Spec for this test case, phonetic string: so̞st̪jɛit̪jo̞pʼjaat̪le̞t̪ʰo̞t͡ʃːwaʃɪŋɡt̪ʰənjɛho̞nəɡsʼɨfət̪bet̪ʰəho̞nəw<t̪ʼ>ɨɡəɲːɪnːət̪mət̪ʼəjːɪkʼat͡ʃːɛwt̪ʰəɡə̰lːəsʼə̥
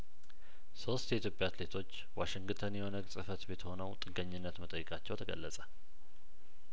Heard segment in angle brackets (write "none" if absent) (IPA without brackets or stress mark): t̪ʼ